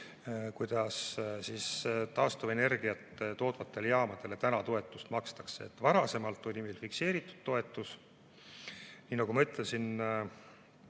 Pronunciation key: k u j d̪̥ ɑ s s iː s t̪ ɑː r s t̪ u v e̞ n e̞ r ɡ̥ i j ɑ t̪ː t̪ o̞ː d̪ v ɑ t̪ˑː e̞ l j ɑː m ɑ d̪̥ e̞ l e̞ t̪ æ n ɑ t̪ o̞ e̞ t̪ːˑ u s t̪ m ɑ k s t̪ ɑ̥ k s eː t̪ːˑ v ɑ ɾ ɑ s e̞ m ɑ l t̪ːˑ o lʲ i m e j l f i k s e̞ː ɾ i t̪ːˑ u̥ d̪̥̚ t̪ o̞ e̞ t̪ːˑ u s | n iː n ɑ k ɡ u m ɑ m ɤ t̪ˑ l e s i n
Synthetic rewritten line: k u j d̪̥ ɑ s s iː s t̪ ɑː s t̪ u v e̞ n e̞ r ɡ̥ i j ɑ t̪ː t̪ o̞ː d̪ v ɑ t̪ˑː e̞ l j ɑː m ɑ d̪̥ e̞ l e̞ t̪ æ n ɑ t̪ o̞ e̞ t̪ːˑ u s t̪ m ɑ k s t̪ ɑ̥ k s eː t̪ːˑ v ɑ ɾ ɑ s e̞ m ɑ l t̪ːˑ o lʲ i m e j l f i k s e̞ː ɾ i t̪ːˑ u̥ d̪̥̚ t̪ o̞ e̞ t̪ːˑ u s | n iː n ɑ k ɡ u m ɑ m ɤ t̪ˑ l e s i n

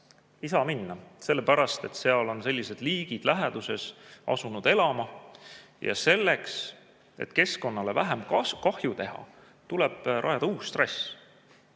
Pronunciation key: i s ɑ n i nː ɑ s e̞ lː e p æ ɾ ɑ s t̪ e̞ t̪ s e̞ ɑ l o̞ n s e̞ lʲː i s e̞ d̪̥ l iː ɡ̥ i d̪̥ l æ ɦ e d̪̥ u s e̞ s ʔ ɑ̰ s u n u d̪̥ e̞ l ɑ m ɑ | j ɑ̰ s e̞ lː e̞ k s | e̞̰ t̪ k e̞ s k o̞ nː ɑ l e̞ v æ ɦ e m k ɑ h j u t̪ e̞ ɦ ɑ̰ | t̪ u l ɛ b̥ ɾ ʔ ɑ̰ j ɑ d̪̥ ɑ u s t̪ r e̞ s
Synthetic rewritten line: i s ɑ m i nː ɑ s e̞ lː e p æ ɾ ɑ s t̪ e̞ t̪ s e̞ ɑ l o̞ n s e̞ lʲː i s e̞ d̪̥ l iː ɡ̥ i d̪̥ l æ ɦ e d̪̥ u s e̞ s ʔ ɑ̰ s u n u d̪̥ e̞ l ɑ m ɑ | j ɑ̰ s e̞ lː e̞ k s | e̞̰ t̪ k e̞ s k o̞ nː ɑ l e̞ v æ ɦ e m k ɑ h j u t̪ e̞ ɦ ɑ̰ | t̪ u l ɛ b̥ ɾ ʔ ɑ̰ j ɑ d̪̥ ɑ uː s t̪ r e̞ s

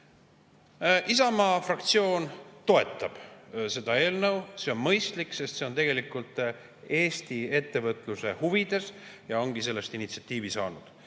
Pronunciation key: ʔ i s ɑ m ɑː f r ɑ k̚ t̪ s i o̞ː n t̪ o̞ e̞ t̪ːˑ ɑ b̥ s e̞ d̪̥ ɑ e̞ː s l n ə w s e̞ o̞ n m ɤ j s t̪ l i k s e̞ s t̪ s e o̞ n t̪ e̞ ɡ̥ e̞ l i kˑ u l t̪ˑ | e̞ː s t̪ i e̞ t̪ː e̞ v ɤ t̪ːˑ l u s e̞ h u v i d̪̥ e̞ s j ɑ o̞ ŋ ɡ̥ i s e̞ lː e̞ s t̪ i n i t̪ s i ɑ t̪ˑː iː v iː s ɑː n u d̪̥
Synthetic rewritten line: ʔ i s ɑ m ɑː f r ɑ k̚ t̪ s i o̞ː n t̪ o̞ e̞ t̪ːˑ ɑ b̥ s e̞ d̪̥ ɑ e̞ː l n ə w s e̞ o̞ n m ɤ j s t̪ l i k s e̞ s t̪ s e o̞ n t̪ e̞ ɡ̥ e̞ l i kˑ u l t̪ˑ | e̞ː s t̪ i e̞ t̪ː e̞ v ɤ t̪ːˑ l u s e̞ h u v i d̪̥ e̞ s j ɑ o̞ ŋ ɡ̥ i s e̞ lː e̞ s t̪ i n i t̪ s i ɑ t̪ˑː iː v i s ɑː n u d̪̥

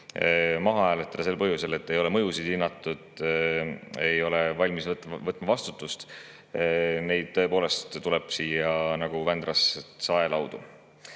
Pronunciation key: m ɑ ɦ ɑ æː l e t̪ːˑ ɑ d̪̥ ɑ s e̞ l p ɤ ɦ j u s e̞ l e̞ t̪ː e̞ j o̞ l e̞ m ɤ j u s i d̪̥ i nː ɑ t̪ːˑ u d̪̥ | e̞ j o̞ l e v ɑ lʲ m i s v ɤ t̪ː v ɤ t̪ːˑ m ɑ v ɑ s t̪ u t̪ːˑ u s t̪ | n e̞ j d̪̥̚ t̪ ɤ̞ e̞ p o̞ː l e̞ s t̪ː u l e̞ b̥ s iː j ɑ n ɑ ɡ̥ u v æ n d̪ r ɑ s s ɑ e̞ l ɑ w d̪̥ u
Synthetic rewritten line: m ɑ ɦ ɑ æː l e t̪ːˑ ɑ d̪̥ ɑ s e̞ l p ɤ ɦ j u s e̞ l e̞ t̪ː e̞ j o̞ l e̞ m ɤ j u s i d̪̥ i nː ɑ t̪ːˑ u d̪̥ | e̞ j o̞ l e v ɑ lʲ m i s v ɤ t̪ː v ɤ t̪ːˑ m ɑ v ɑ s t̪ u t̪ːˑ u s t̪ | n e̞ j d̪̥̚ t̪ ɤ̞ e̞ p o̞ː l e̞ s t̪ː u l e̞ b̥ s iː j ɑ n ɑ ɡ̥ u v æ n d̪ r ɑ s s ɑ e̞ l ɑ w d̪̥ u

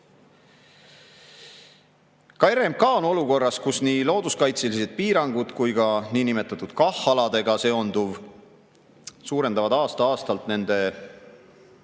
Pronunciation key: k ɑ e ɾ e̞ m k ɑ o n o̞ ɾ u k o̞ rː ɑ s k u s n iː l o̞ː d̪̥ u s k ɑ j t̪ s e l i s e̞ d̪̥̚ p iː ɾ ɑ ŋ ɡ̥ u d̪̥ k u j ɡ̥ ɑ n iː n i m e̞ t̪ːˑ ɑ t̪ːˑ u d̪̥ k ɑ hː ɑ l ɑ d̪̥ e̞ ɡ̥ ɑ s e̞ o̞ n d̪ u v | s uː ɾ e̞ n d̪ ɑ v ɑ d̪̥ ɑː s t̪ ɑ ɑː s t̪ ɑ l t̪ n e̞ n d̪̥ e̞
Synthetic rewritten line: k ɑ e ɾ e̞ m k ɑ o n o̞ l u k o̞ rː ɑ s k u s n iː l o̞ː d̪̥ u s k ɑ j t̪ s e l i s e̞ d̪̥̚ p iː ɾ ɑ ŋ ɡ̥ u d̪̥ k u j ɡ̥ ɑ n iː n i m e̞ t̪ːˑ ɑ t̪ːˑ u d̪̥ k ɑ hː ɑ l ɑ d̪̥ e̞ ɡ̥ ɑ s e̞ o̞ n d̪ u v | s uː ɾ e̞ n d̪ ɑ v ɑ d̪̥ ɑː s t̪ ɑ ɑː s t̪ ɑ l t̪ n e̞ n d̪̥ e̞

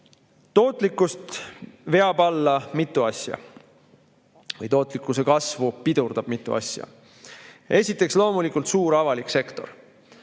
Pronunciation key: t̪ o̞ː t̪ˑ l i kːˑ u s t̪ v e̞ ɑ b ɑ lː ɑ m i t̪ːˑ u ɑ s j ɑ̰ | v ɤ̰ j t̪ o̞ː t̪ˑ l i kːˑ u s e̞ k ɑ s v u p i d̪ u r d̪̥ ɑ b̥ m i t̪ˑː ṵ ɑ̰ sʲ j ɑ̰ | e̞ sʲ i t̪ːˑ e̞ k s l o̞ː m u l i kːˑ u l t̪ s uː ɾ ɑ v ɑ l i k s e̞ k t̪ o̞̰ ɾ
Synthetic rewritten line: t̪ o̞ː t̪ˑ l i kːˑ u s t̪ v e̞ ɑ b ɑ lː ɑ m i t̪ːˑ u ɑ s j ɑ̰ | v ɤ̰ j t̪ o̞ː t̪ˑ l i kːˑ u s e̞ k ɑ s v u p i d̪ u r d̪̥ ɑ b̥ m i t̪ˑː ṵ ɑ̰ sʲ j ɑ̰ | e̞ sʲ i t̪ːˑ e̞ k s l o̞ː m u l i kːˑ u l t̪ s uː ɾ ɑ v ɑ l i k s e̞ k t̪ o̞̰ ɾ

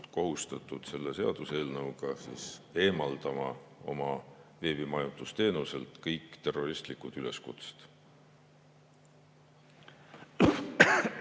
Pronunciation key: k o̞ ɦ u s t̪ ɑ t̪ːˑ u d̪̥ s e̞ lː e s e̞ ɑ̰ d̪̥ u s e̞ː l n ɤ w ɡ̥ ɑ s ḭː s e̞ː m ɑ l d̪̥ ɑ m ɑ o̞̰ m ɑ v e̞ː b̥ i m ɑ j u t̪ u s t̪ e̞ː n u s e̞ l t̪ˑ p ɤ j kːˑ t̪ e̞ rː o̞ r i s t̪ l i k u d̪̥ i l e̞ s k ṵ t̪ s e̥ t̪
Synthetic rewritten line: k o̞ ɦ u s t̪ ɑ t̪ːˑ u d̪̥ s e̞ lː e s e̞ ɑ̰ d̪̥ u s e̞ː l n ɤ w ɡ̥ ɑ s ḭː s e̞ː m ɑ l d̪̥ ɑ m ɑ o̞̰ m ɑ v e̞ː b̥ i m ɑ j u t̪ u s t̪ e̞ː n u s e̞ l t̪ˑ k ɤ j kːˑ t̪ e̞ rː o̞ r i s t̪ l i k u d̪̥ y l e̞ s k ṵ t̪ s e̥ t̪

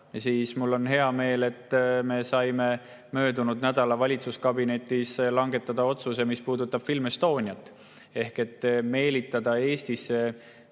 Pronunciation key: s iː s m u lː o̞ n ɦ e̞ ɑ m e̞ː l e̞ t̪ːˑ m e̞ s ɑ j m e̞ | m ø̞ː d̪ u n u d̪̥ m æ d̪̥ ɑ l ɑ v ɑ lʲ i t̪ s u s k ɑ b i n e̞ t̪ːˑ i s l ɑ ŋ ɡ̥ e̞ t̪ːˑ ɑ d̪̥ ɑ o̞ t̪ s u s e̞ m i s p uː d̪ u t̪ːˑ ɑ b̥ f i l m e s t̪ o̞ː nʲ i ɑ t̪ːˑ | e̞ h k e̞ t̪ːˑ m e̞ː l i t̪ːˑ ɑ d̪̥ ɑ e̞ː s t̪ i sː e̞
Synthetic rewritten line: s iː s m u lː o̞ n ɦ e̞ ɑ m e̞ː l e̞ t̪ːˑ m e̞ s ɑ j m e̞ | m ø̞ː d̪ u n u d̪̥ n æ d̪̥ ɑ l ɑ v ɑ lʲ i t̪ s u s k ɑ b i n e̞ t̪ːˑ i s l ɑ ŋ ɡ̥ e̞ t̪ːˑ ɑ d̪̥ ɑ o̞ t̪ s u s e̞ m i s p uː d̪ u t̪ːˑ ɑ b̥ f i l m e s t̪ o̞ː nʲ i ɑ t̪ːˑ | e̞ h k e̞ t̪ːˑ m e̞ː l i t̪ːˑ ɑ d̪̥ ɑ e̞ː s t̪ i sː e̞

